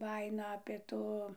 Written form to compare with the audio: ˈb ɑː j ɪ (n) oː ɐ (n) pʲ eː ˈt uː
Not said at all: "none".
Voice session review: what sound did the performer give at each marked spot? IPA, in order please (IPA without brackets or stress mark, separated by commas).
n, none